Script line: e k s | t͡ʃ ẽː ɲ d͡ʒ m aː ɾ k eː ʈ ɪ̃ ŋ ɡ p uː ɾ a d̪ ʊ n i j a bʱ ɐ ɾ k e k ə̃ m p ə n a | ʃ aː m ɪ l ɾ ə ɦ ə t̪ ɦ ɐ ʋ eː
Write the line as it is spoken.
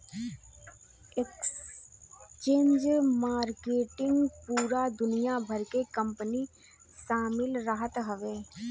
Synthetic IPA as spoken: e k s | t͡ʃ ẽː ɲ d͡ʒ m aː ɾ k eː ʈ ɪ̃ ŋ ɡ p uː ɾ a d̪ ʊ n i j a bʱ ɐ ɾ k e k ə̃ m p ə n i | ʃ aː m ɪ l ɾ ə ɦ ə t̪ ɦ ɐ ʋ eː